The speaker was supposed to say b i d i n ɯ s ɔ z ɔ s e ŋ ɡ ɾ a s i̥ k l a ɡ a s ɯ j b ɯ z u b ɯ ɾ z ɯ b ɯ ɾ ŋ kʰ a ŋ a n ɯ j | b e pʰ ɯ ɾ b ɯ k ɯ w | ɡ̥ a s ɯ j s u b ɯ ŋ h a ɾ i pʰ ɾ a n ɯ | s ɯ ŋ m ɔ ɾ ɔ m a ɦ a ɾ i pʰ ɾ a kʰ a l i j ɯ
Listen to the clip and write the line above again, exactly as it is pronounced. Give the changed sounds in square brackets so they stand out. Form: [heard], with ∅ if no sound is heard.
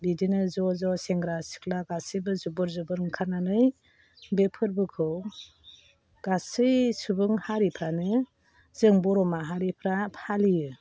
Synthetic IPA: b i d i n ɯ [z] ɔ z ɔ s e ŋ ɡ ɾ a s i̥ k l a ɡ a s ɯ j b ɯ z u b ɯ ɾ z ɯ b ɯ ɾ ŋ kʰ a [n] a n ɯ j | b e pʰ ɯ ɾ b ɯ [kʰ] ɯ w | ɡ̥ a s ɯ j s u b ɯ ŋ h a ɾ i pʰ ɾ a n ɯ | [z] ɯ ŋ [b] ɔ ɾ ɔ m a ɦ a ɾ i pʰ ɾ a [pʰ] a l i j ɯ